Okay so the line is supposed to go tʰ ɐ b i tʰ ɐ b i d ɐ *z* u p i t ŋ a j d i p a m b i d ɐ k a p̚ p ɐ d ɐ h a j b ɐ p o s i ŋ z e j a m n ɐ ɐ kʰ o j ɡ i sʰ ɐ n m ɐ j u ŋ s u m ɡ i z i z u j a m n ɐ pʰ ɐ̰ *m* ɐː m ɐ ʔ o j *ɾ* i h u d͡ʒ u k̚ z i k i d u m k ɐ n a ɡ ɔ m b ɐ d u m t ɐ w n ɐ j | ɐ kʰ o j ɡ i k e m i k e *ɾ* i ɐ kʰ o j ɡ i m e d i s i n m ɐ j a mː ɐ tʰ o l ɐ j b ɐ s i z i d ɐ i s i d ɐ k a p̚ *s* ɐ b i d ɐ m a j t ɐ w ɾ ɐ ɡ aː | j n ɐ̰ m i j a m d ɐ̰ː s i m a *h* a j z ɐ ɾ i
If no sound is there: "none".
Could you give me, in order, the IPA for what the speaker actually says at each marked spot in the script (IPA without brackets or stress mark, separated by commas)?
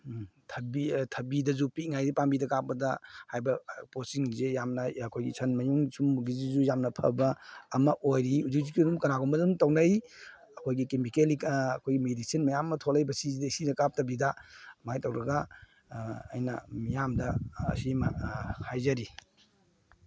z, b, ɾ, l, t, h